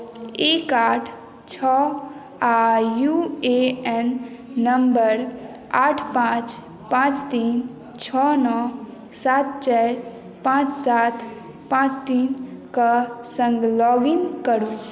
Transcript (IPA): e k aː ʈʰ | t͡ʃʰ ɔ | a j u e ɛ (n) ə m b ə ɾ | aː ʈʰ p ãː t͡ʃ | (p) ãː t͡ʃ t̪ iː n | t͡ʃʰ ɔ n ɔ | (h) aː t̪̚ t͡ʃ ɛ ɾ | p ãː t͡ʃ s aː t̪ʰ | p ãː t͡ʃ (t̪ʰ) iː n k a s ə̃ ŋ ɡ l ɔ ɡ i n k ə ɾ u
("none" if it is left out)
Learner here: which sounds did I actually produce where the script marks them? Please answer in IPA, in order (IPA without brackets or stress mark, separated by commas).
nː, p, s, t̪